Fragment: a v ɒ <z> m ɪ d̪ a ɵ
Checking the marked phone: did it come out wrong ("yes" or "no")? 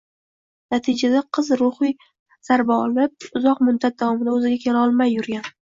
yes